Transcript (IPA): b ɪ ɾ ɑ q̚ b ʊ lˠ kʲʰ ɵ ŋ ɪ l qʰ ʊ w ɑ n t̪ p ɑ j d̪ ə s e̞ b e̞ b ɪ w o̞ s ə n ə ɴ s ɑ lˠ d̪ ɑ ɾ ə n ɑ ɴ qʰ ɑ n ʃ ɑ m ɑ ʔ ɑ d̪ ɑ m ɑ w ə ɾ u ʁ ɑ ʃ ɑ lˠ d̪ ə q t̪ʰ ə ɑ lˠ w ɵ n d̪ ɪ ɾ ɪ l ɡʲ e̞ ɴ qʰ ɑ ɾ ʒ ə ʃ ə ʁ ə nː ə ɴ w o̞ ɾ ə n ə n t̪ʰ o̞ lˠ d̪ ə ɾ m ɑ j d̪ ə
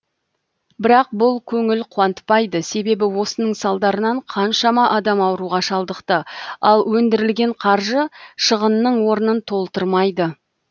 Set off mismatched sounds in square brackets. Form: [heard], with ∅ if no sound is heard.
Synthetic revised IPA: b ɪ ɾ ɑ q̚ b ʊ lˠ kʲʰ ɵ ŋ ɪ l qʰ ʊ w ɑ n t̪ p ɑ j d̪ ə s e̞ b e̞ b ɪ w o̞ s ə n ə ɴ s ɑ lˠ d̪ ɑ ɾ ə n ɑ ɴ qʰ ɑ n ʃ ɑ m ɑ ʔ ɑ d̪ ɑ m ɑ w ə ɾ u ʁ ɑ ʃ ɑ lˠ d̪ ə q [t̪] ə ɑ lˠ w ɵ n d̪ ɪ ɾ ɪ l ɡʲ e̞ ɴ qʰ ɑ ɾ ʒ ə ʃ ə ʁ ə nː ə ɴ w o̞ ɾ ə n ə n t̪ʰ o̞ lˠ [t̪] ə ɾ m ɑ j d̪ ə